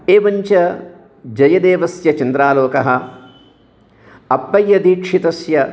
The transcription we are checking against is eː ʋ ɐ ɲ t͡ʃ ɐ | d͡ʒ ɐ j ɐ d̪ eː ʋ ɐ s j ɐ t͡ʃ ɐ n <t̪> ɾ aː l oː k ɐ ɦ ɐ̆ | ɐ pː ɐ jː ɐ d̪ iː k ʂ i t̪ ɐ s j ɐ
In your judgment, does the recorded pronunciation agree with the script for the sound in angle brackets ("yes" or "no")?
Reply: no